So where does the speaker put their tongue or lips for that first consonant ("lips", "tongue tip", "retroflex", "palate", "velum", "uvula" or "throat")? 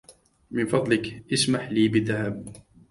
lips